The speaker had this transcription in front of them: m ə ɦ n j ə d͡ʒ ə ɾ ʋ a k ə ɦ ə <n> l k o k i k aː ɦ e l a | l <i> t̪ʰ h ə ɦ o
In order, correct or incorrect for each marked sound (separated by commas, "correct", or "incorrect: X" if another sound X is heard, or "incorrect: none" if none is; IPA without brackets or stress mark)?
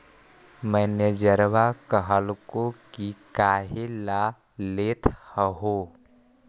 incorrect: none, incorrect: e